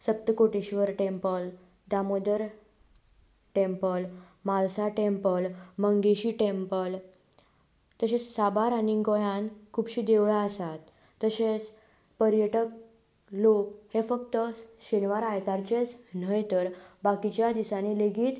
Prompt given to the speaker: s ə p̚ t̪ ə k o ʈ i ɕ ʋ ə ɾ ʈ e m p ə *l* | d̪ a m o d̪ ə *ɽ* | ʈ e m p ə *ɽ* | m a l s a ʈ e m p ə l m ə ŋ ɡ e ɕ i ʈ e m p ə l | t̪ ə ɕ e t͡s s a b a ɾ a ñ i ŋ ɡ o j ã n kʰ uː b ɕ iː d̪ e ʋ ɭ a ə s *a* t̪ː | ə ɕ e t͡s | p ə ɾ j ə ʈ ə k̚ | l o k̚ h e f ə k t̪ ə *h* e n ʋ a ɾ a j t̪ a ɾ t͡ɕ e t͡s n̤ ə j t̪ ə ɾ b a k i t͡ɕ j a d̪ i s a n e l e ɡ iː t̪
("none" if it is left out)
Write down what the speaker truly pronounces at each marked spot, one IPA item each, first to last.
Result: l, ɾ, l, a, ɕ

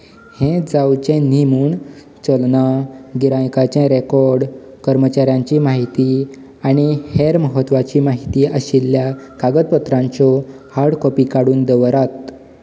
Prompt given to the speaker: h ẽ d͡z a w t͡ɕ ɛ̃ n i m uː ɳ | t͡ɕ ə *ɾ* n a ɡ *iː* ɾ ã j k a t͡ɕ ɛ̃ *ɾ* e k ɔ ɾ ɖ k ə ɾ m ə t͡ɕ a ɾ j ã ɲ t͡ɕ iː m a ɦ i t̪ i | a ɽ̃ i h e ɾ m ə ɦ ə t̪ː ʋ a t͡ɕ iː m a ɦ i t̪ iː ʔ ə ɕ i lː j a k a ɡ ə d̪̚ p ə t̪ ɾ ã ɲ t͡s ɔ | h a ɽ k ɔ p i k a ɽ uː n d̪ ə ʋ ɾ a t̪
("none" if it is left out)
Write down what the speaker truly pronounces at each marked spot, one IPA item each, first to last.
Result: l, i, ɾ

